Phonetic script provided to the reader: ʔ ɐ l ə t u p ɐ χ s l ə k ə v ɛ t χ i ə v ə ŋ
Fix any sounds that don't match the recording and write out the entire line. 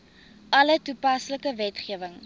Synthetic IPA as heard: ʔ ɐ l ə t u p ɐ s l ə k ə v ɛ t χ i ə v ə ŋ